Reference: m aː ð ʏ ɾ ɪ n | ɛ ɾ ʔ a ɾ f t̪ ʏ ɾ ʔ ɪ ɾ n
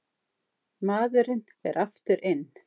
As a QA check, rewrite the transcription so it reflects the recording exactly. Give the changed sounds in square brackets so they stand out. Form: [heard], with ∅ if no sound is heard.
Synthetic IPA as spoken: m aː ð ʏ ɾ ɪ n | ɛ ɾ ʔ a [∅] f t̪ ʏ ɾ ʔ ɪ [∅] n